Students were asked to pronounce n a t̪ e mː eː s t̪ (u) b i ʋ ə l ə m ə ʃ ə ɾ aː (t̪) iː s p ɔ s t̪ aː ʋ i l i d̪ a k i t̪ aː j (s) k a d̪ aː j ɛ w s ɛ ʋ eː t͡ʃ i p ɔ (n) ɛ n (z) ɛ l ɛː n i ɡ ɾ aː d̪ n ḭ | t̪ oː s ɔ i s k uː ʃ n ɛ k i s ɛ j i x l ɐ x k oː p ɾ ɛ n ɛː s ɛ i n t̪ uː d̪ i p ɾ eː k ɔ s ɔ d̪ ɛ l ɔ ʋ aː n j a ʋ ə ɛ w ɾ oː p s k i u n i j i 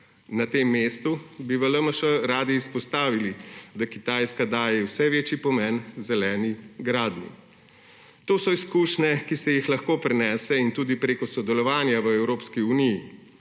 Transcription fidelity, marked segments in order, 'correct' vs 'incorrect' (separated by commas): correct, incorrect, correct, incorrect, correct